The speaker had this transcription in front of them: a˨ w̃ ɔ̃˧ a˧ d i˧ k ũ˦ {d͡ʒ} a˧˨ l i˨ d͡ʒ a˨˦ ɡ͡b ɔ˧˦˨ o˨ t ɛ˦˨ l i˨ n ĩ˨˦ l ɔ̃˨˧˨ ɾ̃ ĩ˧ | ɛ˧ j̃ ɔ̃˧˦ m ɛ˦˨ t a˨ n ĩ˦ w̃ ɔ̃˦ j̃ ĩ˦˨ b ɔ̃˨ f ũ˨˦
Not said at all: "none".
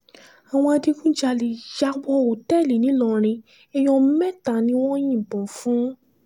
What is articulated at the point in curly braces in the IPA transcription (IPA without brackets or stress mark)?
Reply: d͡ʒ